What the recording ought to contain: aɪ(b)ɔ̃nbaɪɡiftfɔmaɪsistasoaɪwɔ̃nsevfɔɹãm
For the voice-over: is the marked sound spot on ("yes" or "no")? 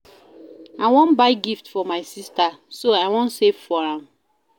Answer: no